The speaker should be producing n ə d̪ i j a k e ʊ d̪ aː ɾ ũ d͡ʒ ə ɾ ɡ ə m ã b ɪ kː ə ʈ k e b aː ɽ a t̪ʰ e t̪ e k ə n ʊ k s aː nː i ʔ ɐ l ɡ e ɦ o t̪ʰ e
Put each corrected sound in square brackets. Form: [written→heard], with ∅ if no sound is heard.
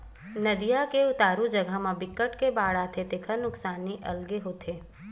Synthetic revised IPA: n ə d̪ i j a k e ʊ [d̪→t̪] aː ɾ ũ d͡ʒ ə [ɾ→∅] ɡ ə m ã b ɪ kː ə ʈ k e b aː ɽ a t̪ʰ e t̪ e [k→kʰ] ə n ʊ k s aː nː i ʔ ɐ l ɡ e ɦ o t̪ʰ e